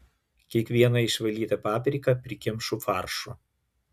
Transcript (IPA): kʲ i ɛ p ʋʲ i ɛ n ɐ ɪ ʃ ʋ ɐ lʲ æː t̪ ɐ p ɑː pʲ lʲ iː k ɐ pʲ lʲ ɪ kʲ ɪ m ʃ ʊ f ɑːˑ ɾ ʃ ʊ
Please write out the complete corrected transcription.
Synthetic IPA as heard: kʲ i ɛ k ʋʲ i ɛ n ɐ ɪ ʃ ʋ ɐ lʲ iː t̪ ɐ p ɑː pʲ ɾʲ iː k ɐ pʲ ɾʲ ɪ kʲ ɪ m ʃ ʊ f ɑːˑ ɾ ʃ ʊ